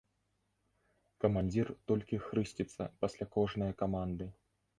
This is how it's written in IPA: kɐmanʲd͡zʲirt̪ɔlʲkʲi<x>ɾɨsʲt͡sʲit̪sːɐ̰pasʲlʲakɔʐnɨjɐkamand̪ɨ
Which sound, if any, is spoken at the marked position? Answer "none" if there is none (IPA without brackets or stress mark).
x